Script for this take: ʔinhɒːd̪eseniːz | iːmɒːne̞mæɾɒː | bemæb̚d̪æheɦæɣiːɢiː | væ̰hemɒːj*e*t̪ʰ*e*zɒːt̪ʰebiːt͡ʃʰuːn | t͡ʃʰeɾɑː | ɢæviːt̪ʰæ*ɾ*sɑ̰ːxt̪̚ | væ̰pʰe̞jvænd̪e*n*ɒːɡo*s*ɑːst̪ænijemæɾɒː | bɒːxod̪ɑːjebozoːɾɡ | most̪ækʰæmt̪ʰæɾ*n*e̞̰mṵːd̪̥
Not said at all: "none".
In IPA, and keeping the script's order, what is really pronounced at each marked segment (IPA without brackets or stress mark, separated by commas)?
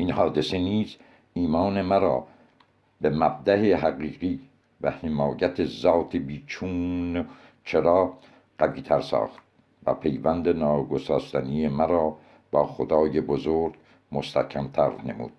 æ, e, ɾ, n, s, n